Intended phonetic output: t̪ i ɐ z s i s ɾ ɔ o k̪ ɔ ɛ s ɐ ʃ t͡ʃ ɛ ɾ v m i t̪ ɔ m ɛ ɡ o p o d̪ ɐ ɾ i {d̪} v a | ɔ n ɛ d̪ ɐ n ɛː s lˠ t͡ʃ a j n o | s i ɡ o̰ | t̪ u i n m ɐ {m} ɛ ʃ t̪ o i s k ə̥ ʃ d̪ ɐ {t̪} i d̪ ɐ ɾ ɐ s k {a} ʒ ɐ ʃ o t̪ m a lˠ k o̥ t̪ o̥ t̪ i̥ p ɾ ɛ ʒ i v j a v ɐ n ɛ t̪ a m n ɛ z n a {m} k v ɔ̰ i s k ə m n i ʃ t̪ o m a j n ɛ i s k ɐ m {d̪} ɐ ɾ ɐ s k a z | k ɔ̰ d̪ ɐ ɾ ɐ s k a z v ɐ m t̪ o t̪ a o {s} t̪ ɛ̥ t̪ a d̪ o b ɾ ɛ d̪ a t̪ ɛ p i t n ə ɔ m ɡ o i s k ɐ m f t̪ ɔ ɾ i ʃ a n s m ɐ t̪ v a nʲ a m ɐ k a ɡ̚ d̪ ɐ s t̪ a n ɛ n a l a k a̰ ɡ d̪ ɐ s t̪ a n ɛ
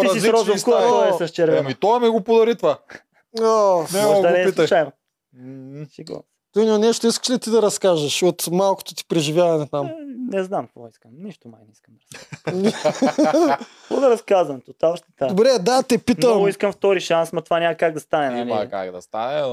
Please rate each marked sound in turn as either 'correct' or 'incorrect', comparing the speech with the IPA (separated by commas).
incorrect, incorrect, correct, correct, correct, correct, incorrect